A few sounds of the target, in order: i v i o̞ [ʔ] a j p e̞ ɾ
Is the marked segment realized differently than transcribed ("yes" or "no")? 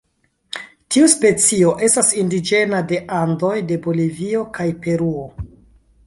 yes